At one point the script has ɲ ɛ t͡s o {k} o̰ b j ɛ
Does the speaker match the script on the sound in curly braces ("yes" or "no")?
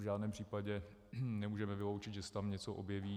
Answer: no